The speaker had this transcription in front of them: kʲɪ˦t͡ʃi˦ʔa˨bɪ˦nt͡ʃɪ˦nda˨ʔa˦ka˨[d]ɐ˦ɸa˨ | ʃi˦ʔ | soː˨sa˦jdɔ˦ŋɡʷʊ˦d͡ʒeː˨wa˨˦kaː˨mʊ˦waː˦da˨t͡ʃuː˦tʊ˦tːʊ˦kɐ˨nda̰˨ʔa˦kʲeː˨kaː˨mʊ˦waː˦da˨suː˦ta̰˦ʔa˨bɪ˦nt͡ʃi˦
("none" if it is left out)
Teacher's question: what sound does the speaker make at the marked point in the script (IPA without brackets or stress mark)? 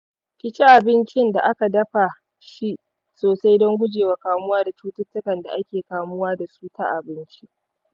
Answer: d